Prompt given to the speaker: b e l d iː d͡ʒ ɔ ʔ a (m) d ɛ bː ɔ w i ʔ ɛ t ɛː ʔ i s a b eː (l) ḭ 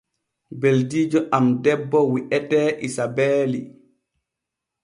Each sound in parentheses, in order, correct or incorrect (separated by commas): correct, correct